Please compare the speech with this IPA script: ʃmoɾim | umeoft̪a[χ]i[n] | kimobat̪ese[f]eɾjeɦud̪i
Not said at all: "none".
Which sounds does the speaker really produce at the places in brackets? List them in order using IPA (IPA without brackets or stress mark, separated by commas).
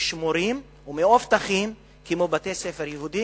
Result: χ, m, f